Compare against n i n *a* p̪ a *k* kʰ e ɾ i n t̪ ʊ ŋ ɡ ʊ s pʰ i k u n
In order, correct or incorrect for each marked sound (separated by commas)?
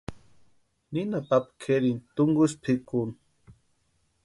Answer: correct, incorrect